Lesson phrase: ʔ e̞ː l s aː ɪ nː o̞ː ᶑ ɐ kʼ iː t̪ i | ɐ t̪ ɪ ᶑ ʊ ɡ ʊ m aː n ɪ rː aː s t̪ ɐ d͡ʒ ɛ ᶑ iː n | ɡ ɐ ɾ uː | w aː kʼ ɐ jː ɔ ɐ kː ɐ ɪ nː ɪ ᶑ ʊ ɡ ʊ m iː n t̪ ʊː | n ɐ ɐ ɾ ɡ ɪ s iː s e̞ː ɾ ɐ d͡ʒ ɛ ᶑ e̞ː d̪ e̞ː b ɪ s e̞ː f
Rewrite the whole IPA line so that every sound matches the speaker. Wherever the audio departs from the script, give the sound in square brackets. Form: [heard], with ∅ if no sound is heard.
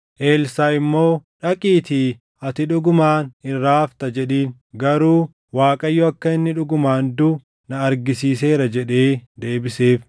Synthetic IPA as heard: ʔ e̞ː l s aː ɪ [mː] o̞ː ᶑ ɐ kʼ iː t̪ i | ɐ t̪ ɪ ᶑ ʊ ɡ ʊ m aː n ɪ rː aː [f] t̪ ɐ d͡ʒ ɛ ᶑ iː n | ɡ ɐ ɾ uː | w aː kʼ ɐ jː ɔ ɐ kː ɐ ɪ nː ɪ ᶑ ʊ ɡ ʊ m [aː] n [d̪] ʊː | n ɐ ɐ ɾ ɡ ɪ s iː s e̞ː ɾ ɐ d͡ʒ ɛ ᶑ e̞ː d̪ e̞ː b ɪ s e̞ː f